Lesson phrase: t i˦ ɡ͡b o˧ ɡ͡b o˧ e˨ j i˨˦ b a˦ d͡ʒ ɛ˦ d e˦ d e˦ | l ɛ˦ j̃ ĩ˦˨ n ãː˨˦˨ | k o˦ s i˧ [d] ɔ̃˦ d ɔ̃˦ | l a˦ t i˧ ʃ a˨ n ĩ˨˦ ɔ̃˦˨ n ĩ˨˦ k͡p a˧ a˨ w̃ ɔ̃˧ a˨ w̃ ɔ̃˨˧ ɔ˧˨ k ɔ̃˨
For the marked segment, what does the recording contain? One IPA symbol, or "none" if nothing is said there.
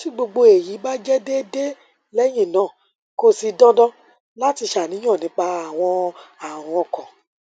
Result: d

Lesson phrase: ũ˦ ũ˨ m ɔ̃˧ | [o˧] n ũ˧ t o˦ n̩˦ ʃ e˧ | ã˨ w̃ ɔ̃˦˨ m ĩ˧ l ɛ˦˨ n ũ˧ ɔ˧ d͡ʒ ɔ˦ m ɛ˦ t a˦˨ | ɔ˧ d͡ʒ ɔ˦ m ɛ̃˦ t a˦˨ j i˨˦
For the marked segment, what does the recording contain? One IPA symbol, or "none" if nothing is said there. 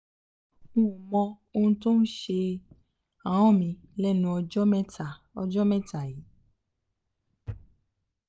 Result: o˧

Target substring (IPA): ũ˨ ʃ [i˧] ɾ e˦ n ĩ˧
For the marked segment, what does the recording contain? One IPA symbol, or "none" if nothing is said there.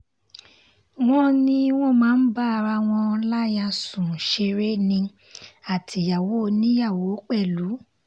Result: e˧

